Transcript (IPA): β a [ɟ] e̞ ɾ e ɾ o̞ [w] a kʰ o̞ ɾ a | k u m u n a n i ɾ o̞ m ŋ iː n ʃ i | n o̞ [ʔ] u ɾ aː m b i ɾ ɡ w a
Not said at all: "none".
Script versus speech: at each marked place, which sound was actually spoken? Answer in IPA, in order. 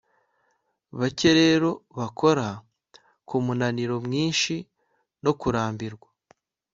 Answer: c, β, k

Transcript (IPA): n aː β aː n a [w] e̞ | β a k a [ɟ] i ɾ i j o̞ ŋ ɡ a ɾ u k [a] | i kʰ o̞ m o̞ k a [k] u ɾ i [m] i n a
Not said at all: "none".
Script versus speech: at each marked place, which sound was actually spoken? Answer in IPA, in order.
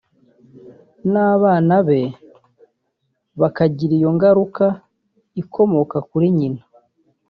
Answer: β, ɟ, a, k, ɲ

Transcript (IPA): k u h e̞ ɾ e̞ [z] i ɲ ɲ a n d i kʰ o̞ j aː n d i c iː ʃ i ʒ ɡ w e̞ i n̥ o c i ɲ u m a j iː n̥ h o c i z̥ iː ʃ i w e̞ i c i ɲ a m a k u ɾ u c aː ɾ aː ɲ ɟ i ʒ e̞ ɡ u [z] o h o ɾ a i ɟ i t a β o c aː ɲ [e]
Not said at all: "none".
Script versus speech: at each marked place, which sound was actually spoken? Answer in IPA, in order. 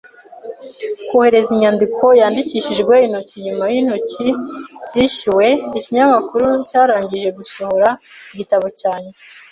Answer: z, s, e

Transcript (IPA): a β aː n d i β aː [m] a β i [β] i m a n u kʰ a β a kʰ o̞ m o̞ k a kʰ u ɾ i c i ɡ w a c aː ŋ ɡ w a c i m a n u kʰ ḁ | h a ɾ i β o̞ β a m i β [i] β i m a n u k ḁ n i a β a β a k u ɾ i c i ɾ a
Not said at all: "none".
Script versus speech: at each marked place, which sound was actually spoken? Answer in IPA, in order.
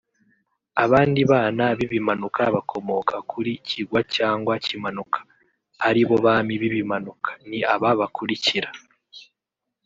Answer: n, β, i

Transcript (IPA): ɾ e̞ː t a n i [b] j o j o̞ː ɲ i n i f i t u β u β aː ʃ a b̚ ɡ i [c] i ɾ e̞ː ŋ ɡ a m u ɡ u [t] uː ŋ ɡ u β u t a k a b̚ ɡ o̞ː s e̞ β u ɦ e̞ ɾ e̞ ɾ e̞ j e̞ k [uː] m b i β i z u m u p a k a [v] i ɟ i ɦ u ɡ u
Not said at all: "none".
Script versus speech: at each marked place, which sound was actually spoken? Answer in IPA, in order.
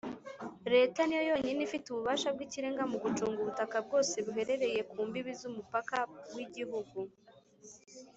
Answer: none, c, t͡ʃ, uː, w

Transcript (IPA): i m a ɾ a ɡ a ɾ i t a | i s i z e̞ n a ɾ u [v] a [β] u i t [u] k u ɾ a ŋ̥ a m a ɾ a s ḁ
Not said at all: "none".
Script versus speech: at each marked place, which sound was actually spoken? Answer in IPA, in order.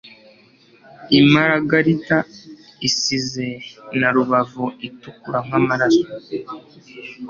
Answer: β, v, u

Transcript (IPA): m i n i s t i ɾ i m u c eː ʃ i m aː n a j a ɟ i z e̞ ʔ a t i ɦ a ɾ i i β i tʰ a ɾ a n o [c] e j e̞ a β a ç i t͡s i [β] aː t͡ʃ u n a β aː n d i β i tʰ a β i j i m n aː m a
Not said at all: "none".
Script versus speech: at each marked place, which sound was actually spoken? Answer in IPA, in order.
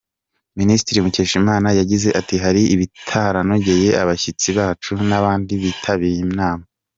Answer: ɟ, β

